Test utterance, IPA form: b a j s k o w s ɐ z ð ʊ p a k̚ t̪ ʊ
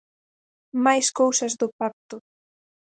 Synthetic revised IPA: m a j s k o w s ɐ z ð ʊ p a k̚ t̪ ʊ

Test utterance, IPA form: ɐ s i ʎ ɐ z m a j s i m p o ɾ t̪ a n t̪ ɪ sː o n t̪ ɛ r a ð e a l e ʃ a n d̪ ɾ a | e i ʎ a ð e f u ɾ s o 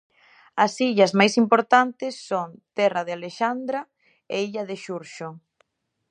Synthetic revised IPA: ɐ s i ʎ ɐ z m a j s i m p o ɾ t̪ a n t̪ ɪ sː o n t̪ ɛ r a ð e a l e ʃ a n d̪ ɾ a | e i ʎ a ð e ʃ u ɾ ʃ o

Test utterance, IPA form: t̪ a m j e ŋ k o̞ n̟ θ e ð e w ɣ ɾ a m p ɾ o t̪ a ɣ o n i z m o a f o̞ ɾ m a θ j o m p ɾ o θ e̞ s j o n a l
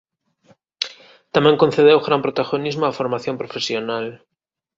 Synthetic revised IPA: t̪ a m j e ŋ k o̞ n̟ θ e ð e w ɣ ɾ a m p ɾ o t̪ a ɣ o n i z m o a f o̞ ɾ m a θ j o m p ɾ o f e̞ s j o n a l

